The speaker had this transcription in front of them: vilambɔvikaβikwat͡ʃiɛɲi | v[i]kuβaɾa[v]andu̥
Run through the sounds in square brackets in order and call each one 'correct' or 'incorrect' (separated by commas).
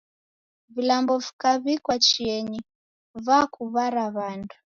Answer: incorrect, incorrect